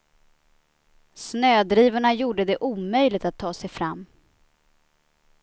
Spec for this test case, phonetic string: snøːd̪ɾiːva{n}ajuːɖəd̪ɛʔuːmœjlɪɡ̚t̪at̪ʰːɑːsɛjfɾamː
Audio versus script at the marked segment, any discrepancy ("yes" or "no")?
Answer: yes